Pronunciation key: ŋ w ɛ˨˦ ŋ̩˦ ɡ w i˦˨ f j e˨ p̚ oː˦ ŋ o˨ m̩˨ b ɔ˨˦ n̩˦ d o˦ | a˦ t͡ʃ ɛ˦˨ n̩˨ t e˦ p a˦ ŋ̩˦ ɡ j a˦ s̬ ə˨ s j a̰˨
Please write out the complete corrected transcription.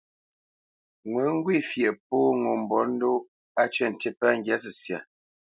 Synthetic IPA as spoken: ŋ w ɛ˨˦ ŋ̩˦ ɡ w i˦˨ f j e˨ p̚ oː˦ ŋ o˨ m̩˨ b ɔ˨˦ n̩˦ d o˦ | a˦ t͡ʃ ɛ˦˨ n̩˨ t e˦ p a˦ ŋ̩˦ ɡ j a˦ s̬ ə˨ s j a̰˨